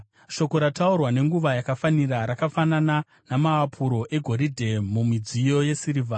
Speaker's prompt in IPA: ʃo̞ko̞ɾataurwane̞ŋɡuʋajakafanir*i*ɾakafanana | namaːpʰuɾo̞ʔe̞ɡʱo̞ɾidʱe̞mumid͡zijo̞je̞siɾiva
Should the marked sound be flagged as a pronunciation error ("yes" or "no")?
yes